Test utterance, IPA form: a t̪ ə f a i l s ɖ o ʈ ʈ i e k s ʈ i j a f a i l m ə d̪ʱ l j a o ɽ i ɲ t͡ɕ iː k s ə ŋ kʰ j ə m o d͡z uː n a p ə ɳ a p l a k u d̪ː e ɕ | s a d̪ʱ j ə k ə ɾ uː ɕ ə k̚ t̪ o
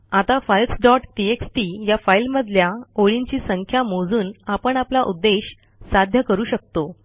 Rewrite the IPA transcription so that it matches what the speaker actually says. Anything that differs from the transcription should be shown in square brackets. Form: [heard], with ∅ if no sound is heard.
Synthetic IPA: a t̪ [a] f a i l s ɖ [ɔ] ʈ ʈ i e k s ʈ i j a f a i l m ə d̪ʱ l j a o [ɭ] i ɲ t͡ɕ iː [∅] s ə ŋ kʰ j [a] m o d͡z uː n a p ə ɳ a p l a [ʔ] u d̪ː e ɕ | s a d̪ʱ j ə k ə ɾ uː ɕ ə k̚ t̪ o